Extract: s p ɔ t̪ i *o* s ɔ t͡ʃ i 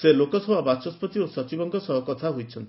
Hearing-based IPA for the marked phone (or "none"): o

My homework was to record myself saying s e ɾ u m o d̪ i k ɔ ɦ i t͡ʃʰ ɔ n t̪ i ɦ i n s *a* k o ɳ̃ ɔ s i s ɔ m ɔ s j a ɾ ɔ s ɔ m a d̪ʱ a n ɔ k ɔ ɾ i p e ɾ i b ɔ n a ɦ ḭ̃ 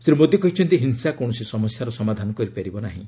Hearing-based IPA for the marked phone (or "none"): a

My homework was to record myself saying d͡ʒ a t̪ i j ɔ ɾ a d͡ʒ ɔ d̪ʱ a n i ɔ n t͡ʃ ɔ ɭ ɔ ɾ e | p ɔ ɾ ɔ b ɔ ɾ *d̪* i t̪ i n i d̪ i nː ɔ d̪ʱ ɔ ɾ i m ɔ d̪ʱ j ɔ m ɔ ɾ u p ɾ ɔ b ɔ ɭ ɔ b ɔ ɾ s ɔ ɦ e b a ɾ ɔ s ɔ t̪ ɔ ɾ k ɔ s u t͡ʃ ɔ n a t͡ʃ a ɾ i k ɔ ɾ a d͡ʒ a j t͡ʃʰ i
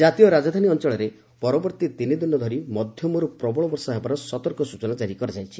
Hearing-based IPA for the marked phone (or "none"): t̪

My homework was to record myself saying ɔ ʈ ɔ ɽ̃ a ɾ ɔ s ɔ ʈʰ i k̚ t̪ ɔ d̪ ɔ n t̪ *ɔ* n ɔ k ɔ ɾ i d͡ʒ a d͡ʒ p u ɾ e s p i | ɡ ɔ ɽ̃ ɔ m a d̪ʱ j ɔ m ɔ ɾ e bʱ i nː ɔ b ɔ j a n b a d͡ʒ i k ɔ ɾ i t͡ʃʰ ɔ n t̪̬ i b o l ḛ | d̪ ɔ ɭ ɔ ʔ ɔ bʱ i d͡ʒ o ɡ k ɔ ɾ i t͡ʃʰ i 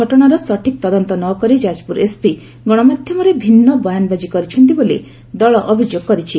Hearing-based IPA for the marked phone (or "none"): ɔ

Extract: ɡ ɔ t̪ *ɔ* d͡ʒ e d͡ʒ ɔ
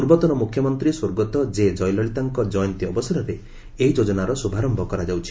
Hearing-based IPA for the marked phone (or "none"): ɔ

